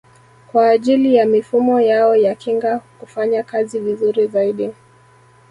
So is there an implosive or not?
yes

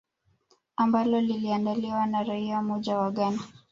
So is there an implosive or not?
yes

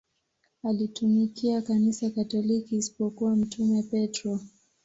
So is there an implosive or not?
no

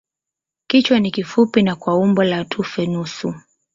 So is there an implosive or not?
no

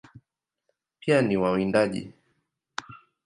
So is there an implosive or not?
yes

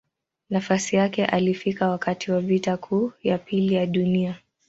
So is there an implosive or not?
yes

